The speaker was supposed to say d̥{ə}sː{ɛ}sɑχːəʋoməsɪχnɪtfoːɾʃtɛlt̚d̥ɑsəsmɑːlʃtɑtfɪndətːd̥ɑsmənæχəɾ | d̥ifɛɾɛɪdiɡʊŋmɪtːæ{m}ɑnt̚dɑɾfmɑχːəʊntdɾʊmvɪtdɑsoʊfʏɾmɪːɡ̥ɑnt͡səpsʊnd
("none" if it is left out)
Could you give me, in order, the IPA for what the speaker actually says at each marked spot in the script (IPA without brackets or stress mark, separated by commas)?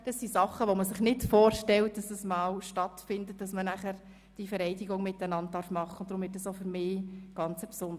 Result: ɑ, i, n